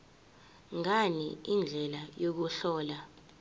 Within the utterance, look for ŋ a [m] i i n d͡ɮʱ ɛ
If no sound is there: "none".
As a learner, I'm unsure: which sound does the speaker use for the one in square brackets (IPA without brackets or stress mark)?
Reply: n